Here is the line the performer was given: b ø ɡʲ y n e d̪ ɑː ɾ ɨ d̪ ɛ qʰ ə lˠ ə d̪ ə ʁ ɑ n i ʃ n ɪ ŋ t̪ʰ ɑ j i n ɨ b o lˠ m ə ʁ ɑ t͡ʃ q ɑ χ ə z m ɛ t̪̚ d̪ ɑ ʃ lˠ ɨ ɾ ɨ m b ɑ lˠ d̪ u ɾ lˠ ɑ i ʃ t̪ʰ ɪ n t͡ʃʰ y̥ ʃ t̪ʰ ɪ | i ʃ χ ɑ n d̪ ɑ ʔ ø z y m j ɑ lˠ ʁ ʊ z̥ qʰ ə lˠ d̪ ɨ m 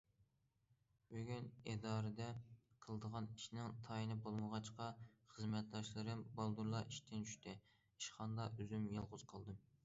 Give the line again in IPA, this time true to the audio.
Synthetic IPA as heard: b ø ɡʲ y n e d̪ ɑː ɾ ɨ d̪ ɛ qʰ ə lˠ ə d̪ ə ʁ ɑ n i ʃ n ɪ ŋ t̪ʰ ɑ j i n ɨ b o lˠ m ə ʁ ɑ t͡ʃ q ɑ χ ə z m ɛ t̪̚ d̪ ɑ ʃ lˠ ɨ ɾ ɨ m b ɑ lˠ d̪ u ɾ lˠ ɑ i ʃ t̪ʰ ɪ n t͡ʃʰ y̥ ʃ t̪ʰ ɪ | i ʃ χ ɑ n d̪ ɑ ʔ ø z y m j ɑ lˠ ʁ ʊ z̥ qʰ ə lˠ d̪ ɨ m